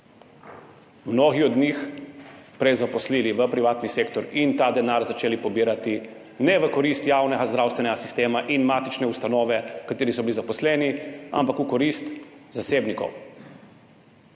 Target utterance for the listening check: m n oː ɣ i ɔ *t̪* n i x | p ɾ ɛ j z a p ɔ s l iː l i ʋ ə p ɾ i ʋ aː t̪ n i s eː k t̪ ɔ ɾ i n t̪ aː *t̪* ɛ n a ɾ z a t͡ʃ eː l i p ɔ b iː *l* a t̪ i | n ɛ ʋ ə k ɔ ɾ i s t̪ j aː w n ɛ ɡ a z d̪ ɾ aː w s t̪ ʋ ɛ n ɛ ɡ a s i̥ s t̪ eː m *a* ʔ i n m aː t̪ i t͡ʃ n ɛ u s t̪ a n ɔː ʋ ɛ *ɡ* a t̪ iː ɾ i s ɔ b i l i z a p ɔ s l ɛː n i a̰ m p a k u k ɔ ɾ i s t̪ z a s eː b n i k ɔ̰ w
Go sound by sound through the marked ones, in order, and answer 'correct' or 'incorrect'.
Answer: incorrect: d̪, incorrect: d̪, incorrect: ɾ, correct, incorrect: k

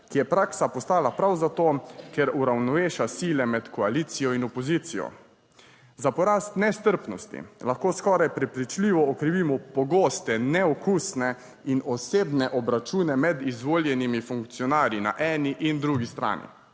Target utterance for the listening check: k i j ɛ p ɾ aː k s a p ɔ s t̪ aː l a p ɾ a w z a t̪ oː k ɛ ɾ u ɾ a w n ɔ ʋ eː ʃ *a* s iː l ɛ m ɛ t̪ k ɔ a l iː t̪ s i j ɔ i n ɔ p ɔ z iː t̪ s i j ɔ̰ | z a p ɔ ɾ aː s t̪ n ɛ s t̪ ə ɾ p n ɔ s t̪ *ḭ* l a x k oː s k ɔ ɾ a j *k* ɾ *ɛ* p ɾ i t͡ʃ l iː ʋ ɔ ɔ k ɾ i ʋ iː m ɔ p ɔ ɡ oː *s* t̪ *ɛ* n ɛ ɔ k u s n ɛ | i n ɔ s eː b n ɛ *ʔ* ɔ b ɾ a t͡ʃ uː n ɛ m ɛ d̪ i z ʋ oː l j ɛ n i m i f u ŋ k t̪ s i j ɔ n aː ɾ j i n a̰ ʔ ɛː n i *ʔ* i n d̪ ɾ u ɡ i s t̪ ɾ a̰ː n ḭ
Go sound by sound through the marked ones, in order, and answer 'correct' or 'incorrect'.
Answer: correct, correct, incorrect: p, correct, correct, correct, correct, correct

